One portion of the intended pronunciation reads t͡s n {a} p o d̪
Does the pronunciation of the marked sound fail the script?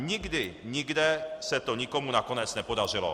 yes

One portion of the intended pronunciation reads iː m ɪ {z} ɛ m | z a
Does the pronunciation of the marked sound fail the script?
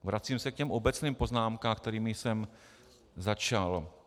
yes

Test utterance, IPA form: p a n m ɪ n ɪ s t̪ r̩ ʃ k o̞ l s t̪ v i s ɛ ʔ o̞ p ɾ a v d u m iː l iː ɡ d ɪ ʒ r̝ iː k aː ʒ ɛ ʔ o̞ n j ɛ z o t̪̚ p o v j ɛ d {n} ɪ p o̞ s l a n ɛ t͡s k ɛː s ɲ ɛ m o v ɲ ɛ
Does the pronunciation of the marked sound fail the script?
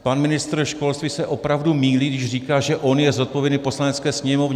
no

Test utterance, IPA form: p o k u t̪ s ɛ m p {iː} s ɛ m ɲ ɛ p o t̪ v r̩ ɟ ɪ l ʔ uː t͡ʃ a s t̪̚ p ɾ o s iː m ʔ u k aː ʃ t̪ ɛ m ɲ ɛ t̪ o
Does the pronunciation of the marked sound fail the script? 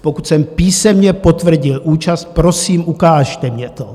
no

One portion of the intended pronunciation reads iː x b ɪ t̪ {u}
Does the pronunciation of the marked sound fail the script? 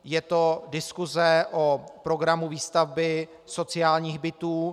yes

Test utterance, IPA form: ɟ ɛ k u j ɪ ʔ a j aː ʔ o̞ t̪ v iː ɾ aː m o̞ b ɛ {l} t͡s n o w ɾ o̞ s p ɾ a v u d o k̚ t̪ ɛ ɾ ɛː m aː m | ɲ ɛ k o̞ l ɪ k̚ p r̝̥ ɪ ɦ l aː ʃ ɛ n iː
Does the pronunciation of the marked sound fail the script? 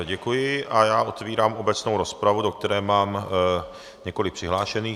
yes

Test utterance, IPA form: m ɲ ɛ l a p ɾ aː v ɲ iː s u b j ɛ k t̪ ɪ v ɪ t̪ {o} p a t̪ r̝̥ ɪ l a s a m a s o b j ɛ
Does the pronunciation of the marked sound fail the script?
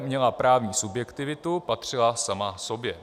yes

